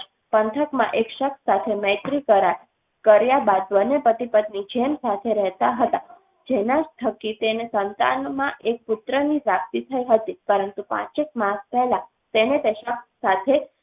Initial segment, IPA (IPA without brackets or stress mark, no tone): p